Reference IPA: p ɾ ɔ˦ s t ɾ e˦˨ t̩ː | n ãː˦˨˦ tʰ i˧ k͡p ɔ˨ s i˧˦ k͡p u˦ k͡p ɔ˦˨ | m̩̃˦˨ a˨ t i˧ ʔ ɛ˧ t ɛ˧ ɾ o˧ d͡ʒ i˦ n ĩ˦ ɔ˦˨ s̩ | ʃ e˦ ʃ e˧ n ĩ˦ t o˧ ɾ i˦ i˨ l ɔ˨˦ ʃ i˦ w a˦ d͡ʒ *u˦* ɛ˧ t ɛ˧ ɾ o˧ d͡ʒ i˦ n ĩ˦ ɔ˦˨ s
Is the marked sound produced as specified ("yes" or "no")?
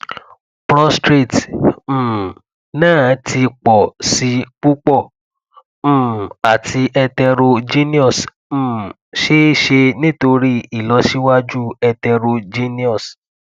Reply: yes